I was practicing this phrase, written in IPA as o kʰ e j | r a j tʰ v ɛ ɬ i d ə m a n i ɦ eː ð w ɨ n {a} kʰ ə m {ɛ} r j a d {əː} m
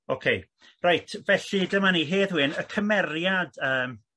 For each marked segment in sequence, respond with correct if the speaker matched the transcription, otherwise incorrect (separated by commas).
incorrect, correct, correct